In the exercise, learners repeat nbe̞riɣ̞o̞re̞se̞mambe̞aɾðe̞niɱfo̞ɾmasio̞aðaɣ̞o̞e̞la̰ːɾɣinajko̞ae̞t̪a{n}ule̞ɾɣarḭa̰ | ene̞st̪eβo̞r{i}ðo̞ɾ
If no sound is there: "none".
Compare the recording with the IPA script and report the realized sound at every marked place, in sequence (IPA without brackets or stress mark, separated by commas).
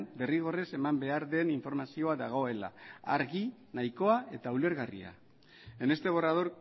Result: none, a